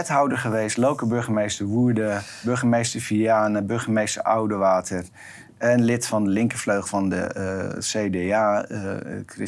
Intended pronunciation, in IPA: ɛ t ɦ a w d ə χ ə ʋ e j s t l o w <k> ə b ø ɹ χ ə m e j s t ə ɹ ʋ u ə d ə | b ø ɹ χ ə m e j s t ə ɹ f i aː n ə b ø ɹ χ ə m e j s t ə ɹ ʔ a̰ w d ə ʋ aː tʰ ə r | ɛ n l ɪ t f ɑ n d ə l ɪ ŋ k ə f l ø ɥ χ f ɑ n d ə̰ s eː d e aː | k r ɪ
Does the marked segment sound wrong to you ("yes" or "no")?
no